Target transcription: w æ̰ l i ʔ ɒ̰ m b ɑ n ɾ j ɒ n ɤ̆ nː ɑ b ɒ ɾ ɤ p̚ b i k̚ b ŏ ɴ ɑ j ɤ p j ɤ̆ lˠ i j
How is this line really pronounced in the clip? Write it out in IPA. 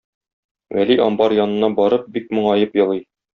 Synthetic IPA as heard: w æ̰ l i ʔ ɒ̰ m b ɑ ɾ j ɒ n ɤ̆ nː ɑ b ɒ ɾ ɤ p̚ b i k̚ m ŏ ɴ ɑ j ɤ p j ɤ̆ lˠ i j